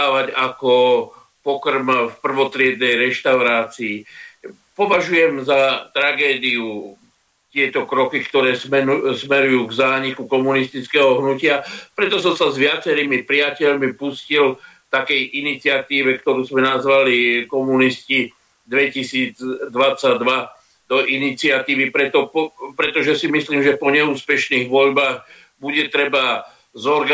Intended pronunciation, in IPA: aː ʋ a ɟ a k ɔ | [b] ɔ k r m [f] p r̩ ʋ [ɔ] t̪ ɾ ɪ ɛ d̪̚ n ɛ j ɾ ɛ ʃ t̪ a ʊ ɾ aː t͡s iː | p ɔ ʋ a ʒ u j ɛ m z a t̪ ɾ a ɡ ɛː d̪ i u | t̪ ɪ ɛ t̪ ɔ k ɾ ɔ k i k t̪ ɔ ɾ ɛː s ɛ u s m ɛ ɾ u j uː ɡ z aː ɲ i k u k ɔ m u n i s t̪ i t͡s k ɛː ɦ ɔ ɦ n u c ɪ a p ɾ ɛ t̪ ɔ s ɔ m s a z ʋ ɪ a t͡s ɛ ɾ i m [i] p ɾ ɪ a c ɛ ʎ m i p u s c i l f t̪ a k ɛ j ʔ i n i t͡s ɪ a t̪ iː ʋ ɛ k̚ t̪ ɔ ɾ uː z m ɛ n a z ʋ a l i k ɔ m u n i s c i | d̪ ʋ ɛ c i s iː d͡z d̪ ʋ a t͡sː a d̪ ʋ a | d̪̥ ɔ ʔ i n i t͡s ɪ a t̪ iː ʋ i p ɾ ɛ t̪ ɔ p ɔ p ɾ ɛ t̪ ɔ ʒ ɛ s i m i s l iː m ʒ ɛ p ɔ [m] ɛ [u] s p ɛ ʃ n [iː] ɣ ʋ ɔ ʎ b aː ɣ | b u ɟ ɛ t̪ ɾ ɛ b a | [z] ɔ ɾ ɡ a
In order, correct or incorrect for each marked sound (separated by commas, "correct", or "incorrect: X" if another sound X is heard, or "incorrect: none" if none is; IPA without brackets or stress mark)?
incorrect: p, correct, correct, correct, incorrect: ɲ, incorrect: uː, correct, correct